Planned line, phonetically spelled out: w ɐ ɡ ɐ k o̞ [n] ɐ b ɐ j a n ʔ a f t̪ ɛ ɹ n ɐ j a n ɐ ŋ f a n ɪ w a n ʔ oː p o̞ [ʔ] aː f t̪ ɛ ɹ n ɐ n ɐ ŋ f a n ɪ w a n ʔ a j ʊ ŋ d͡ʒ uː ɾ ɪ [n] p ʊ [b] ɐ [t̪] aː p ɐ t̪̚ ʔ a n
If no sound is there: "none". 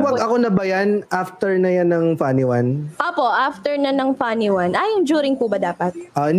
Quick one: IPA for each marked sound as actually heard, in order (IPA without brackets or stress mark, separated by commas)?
n, ʔ, ŋ, b, d̪